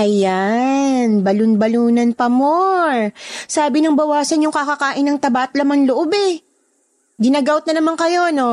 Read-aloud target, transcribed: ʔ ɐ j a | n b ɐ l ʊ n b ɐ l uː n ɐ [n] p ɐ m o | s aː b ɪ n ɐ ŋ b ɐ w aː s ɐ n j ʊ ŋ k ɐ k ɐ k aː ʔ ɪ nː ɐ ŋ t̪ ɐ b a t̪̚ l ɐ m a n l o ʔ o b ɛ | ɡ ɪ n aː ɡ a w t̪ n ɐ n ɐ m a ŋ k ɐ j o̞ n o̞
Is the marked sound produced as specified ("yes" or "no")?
yes